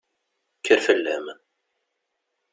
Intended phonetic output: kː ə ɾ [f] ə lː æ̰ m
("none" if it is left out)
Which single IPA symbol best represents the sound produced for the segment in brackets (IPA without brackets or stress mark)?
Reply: f